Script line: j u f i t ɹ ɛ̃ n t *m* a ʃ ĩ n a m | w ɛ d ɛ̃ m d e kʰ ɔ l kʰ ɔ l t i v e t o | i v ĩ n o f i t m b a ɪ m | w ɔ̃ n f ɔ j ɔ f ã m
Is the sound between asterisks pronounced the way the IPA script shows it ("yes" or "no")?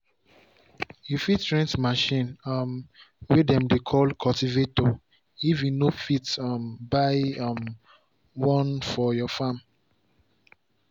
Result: yes